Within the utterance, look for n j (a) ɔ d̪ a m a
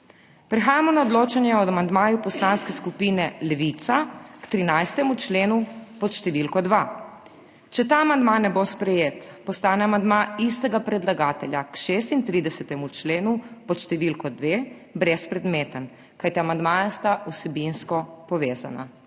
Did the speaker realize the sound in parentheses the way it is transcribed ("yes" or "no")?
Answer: no